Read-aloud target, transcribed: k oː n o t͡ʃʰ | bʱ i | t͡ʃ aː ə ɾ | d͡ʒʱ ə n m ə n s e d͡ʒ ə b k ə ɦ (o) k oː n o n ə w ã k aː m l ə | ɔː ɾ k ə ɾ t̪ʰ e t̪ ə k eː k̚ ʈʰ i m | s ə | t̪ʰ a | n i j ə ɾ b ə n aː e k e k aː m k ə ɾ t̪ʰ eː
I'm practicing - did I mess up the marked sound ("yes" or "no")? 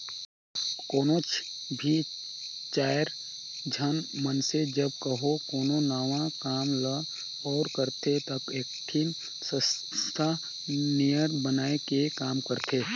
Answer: no